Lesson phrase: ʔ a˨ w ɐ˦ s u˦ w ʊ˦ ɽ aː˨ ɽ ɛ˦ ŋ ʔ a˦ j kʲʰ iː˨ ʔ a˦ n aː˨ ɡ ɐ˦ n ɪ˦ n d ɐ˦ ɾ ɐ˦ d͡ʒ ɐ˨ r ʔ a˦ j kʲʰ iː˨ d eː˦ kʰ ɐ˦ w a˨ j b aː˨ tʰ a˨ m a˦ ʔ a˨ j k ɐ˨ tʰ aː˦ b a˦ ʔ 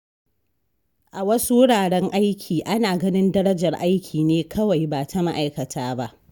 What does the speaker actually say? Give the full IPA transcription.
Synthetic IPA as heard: ʔ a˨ w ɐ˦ s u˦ w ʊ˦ ɽ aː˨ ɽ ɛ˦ ŋ ʔ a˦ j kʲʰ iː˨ ʔ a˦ n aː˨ ɡ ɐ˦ n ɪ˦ n d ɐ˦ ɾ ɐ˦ d͡ʒ ɐ˨ r ʔ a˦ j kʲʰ iː˨ n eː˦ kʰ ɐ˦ w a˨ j b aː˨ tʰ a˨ m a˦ ʔ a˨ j k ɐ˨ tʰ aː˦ b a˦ ʔ